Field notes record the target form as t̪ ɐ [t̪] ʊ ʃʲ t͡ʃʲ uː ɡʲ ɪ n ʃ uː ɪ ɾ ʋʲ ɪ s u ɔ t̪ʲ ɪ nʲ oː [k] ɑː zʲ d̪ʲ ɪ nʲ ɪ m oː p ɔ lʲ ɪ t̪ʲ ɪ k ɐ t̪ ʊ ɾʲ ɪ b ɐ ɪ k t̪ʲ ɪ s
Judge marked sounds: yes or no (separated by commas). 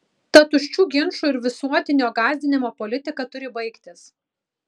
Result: yes, no